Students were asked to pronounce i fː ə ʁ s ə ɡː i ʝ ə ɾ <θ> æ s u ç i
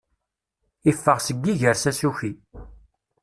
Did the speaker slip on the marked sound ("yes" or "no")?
yes